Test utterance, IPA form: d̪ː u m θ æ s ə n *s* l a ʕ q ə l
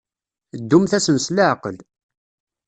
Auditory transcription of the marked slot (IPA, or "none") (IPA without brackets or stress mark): s